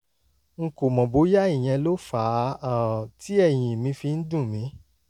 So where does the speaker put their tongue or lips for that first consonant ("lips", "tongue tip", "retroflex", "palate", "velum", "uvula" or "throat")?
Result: velum